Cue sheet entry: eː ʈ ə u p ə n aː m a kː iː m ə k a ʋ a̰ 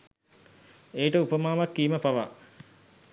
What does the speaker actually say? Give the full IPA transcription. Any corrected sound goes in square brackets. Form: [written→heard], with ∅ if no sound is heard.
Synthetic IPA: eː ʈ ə u p ə [n→m] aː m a kː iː m ə [k→p] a ʋ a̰